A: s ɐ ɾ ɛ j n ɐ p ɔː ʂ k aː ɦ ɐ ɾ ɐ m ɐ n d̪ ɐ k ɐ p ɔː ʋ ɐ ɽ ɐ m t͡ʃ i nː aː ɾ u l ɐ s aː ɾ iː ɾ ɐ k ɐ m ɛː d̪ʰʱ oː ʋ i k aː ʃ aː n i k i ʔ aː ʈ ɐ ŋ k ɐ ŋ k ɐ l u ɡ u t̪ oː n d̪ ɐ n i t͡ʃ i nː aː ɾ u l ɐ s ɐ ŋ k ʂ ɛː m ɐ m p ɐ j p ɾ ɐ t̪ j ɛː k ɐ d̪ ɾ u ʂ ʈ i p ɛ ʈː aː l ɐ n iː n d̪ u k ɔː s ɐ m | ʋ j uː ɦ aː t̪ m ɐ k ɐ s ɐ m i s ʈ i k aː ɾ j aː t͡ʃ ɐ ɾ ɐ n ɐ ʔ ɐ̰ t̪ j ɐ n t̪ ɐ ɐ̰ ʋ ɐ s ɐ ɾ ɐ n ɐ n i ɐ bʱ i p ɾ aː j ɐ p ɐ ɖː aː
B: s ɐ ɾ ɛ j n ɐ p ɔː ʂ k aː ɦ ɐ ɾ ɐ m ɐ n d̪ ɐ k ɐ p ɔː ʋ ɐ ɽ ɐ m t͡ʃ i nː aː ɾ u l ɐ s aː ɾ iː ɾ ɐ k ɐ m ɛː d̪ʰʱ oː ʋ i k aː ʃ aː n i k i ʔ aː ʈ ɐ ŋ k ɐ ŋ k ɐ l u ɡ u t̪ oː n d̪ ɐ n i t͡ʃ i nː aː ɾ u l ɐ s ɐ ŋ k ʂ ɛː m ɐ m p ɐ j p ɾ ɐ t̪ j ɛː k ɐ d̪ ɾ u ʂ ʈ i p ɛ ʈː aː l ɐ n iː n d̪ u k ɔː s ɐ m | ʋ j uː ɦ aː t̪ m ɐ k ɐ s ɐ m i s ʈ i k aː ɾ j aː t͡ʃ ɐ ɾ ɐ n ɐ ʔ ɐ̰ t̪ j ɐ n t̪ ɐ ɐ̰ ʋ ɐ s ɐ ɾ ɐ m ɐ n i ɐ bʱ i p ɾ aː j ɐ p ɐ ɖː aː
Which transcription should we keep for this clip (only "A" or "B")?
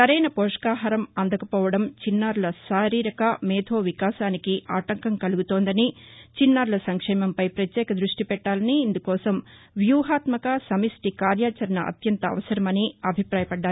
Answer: B